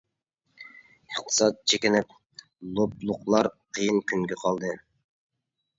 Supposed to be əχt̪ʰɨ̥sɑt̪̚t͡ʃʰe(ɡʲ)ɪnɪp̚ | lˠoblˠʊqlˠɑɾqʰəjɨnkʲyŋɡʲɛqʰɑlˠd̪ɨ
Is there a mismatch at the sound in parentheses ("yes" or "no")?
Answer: yes